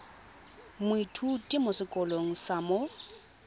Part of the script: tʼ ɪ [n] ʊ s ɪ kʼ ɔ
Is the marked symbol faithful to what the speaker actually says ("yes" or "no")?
no